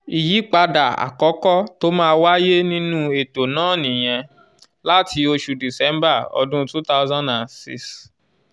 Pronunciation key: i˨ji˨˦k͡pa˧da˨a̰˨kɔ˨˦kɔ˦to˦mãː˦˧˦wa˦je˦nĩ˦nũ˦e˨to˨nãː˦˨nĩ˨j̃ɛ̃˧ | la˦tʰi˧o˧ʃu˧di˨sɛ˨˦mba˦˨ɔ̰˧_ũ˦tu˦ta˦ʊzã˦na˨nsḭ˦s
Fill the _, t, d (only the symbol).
d